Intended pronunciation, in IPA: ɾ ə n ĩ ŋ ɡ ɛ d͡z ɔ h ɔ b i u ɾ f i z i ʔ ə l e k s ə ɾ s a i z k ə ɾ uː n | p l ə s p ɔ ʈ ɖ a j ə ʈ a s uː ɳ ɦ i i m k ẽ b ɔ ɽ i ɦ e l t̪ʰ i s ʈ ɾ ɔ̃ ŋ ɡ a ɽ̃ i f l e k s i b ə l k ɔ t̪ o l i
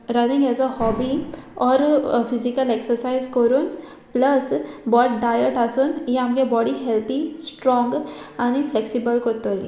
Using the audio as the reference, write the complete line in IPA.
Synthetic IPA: ɾ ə n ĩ ŋ ɡ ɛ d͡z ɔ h ɔ b i ɔ ɾ f i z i k ə l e k s ə ɾ s a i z k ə ɾ uː n | p l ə s b ɔ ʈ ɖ a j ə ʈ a s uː n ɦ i a m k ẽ b ɔ ɽ i ɦ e l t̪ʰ i s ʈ ɾ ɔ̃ ŋ ɡ a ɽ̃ i f l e k s i b ə l k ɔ t̪ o l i

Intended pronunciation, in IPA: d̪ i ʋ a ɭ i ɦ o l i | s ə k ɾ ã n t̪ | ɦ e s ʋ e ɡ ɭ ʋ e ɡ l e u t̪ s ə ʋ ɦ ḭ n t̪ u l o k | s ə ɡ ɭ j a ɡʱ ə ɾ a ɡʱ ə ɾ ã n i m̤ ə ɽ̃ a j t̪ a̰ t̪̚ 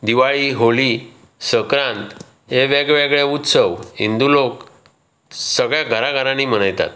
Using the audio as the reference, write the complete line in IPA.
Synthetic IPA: d̪ i ʋ a ɭ i ɦ o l i | s ə k ɾ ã n t̪ | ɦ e ʋ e ɡ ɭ ʋ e ɡ ɭ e u t̪ s ə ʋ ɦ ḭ n d̪ u l o k | s ə ɡ ɭ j a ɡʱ ə ɾ a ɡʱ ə ɾ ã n i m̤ ə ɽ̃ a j t̪ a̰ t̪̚

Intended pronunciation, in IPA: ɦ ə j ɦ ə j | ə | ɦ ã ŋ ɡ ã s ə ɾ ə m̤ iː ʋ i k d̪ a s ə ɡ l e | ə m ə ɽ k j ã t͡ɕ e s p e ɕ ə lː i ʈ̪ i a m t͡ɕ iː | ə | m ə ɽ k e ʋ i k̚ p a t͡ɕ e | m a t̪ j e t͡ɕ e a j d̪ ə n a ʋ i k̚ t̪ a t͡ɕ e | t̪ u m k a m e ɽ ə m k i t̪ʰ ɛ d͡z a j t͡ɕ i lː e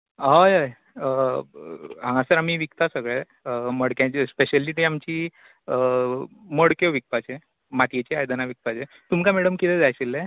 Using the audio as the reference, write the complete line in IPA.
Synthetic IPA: ɦ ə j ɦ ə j | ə | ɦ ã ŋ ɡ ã s ə ɾ a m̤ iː ʋ i k t̪ a s ə ɡ ɭ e | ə m ə ɽ k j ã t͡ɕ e s p e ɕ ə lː i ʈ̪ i a m t͡ɕ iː | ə | m ə ɽ k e ʋ i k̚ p a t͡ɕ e | m a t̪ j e t͡ɕ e a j d̪ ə n a ʋ i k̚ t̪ a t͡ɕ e | t̪ u m k a m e ɽ ə m k i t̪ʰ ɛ d͡z a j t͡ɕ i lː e

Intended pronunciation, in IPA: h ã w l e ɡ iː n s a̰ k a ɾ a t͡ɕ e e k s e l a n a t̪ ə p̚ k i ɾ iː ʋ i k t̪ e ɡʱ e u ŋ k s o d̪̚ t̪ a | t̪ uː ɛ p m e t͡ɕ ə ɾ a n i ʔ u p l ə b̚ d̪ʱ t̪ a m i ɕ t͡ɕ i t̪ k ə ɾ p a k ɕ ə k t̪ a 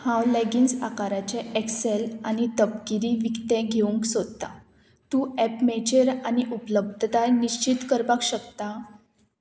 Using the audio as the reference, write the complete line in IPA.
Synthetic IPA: h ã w l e ɡ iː n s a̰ k a ɾ a t͡ɕ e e k s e l a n i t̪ ə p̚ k i ɾ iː ʋ i k t̪ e ɡʱ e u ŋ k s o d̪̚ t̪ a | t̪ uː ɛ p m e t͡ɕ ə ɾ a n i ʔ u p l ə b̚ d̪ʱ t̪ a n i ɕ t͡ɕ i t̪ k ə ɾ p a k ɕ ə k t̪ a

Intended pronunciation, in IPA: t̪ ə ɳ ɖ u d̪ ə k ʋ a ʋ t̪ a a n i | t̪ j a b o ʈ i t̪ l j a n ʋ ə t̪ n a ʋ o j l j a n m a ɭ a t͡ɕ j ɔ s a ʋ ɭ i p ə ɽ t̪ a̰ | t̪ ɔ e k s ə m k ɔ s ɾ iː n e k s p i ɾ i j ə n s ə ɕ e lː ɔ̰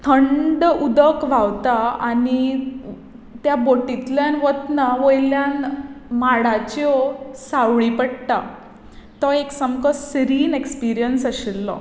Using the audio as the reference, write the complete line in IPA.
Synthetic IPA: t̪ʰ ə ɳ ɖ u d̪ ə k ʋ a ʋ t̪ a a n i | t̪ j a b o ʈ i t̪ l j a n ʋ ə t̪ n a ʋ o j l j a n m a ɽ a t͡ɕ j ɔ s a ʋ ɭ i p ə ɽ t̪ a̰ | t̪ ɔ e k s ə m k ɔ s ɾ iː n e k s p i ɾ i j ə n s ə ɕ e lː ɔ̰

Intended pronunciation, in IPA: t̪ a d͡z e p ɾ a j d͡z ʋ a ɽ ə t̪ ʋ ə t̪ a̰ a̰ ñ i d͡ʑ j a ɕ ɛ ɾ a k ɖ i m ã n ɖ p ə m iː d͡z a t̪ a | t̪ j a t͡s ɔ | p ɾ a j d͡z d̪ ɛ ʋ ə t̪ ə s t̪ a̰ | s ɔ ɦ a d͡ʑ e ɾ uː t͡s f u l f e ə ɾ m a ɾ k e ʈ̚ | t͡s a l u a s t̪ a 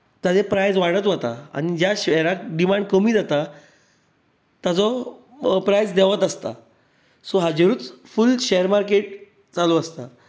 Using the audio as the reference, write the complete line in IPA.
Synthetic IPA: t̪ a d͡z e p ɾ a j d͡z ʋ a ɽ ə t̪ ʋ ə t̪ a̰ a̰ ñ i d͡ʑ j a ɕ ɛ ɾ a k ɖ i m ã ɳ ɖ k ə m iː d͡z a t̪ a | t̪ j a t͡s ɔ | p ɾ a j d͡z d̪ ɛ ʋ ə t̪ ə s t̪ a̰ | s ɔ ɦ a d͡ʑ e ɾ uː t͡s f u l ɕ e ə ɾ m a ɾ k e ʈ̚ | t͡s a l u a s t̪ a

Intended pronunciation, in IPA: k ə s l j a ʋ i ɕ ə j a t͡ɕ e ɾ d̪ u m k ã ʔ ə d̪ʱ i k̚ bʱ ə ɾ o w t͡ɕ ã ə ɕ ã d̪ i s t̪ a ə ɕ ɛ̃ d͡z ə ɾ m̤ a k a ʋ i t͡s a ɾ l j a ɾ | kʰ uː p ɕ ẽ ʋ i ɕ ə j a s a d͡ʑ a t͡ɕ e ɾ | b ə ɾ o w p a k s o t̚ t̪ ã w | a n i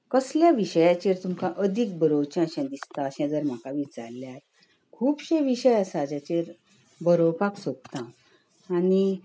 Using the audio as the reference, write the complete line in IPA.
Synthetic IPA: k ə s l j a ʋ i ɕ ə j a t͡ɕ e ɾ t̪ u m k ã ʔ ə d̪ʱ i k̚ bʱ ə ɾ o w t͡ɕ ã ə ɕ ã d̪ i s t̪ a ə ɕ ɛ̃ d͡z ə ɾ m̤ a k a ʋ i t͡s a ɾ l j a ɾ | kʰ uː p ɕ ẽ ʋ i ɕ ə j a s a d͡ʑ a t͡ɕ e ɾ | b ə ɾ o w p a k s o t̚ t̪ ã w | a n i

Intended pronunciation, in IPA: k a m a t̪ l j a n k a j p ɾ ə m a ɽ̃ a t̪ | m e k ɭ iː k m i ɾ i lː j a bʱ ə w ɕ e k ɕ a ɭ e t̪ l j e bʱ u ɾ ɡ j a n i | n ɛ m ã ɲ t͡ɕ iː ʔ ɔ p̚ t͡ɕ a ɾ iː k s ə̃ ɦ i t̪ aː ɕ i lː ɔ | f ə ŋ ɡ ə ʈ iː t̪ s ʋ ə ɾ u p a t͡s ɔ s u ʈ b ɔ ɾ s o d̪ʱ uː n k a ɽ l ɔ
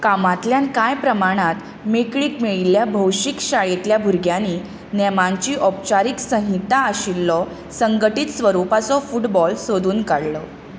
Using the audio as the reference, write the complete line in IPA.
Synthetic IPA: k a m a t̪ l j a n k a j p ɾ ə m a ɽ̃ a t̪ | m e k ɭ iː k m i ɭ i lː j a bʱ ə w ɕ i k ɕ a ɭ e t̪ l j a bʱ u ɾ ɡ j a n i | n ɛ m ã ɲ t͡ɕ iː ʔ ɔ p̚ t͡ɕ a ɾ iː k s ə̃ ɦ i t̪ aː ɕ i lː ɔ | s ə ŋ ɡ ə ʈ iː t̪ s ʋ ə ɾ u p a t͡s ɔ f u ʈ b ɔ l s o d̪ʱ uː n k a ɽ l ɔ

